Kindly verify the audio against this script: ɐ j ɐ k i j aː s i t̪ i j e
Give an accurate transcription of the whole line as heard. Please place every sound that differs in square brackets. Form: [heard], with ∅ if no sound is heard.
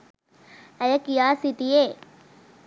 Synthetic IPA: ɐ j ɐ k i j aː s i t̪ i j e